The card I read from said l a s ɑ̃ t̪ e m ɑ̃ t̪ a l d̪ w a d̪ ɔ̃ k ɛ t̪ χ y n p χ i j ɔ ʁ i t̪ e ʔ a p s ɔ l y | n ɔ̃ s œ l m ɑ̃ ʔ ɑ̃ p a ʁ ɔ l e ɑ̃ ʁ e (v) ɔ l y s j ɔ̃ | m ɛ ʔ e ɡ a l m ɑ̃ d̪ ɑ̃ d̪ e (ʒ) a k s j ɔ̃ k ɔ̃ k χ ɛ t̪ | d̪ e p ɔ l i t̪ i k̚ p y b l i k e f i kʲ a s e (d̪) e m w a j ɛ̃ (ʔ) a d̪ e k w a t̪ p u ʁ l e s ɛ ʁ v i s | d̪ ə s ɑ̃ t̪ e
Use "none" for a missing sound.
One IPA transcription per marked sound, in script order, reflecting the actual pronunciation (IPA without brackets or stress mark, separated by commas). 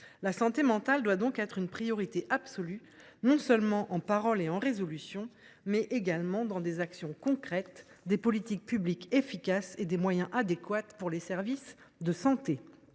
z, z, d̪, ʔ